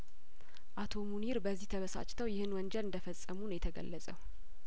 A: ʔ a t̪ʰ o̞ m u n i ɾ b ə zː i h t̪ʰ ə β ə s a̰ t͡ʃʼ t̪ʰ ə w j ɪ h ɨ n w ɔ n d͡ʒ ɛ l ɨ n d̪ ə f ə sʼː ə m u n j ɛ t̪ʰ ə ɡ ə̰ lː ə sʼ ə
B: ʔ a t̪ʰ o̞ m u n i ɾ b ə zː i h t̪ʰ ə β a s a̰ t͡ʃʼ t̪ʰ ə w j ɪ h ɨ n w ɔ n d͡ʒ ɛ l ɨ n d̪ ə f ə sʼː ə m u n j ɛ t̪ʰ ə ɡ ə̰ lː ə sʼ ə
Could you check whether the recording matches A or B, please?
A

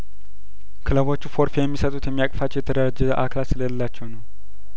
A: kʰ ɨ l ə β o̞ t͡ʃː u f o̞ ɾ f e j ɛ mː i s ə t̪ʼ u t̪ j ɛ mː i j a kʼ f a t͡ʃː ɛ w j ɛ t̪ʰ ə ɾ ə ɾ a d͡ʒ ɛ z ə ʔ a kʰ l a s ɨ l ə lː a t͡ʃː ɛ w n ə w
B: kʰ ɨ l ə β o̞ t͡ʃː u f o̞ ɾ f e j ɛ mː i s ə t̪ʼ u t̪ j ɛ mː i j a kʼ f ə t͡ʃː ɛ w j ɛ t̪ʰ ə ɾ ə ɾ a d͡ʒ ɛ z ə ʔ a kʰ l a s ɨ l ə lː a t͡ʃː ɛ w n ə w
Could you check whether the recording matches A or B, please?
A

